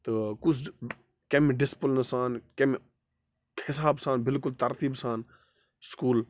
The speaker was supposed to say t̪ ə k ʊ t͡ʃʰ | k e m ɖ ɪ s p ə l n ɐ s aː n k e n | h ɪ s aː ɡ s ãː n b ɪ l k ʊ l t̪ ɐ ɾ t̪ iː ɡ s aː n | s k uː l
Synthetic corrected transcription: t̪ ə k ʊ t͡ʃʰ | k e m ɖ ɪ s p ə l n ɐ s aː n k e m | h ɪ s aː b s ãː n b ɪ l k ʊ l t̪ ɐ ɾ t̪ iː b s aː n | s k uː l